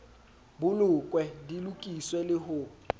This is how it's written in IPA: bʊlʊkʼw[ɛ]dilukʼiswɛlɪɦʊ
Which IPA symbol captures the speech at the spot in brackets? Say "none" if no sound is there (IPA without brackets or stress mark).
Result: ɛ